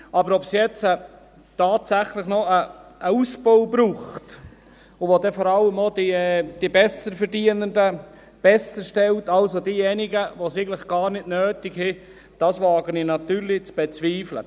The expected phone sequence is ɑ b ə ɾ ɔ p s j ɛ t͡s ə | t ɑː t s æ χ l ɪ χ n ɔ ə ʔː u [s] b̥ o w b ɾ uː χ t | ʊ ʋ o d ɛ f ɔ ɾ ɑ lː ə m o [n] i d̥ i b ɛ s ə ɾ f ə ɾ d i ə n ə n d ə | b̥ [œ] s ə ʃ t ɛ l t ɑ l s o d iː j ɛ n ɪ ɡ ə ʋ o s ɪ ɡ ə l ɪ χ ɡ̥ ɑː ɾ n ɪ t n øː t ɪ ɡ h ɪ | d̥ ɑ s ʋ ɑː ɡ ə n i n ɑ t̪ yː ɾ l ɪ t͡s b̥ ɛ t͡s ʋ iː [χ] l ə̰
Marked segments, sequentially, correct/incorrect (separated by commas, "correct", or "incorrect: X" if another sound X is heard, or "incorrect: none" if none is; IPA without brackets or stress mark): correct, incorrect: d, incorrect: ɛ, incorrect: f